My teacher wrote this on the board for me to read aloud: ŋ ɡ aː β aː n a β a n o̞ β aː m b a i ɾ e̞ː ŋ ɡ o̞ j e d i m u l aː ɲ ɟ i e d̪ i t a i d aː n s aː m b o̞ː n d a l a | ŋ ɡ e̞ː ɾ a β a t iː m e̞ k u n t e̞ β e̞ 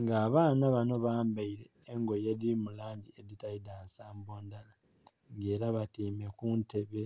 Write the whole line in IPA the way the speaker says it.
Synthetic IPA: ŋ ɡ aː β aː n a β a n o̞ β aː m b a i ɾ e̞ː ŋ ɡ o̞ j e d i m u l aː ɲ ɟ i e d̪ i t a i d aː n s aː m b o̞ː n d a l a | ŋ ɡ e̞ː ɾ a β a t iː m e̞ k u n t e̞ β e̞